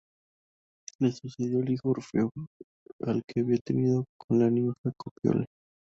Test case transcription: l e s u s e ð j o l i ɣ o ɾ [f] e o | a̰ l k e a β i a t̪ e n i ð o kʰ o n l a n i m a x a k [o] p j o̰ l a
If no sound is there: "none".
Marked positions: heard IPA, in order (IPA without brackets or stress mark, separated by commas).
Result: f, o